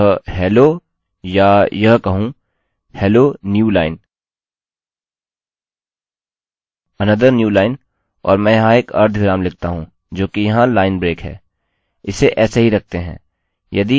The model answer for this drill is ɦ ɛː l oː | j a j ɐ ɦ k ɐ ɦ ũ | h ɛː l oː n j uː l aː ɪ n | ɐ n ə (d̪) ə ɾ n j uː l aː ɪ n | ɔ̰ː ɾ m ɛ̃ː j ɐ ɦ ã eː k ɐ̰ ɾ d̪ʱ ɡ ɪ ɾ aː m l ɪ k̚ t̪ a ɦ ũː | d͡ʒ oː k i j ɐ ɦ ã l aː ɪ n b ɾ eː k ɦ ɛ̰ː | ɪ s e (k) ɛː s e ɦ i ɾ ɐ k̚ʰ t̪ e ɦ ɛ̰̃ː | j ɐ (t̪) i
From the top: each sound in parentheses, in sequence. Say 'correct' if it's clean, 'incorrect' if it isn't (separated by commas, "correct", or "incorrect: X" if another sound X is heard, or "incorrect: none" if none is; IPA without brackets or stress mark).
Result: correct, incorrect: ʔ, incorrect: d̪